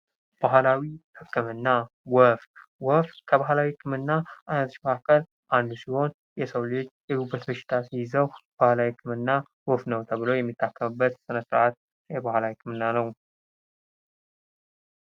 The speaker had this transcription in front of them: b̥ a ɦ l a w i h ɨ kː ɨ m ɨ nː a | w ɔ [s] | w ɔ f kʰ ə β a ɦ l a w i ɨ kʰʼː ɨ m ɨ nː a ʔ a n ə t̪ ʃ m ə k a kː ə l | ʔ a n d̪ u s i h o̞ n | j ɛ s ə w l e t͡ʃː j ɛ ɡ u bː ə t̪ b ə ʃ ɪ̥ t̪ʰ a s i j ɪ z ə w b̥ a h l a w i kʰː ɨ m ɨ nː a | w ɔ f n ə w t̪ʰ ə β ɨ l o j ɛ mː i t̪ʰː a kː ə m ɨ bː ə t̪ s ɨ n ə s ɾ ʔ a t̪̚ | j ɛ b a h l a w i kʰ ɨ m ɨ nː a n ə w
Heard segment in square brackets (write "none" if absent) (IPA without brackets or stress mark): f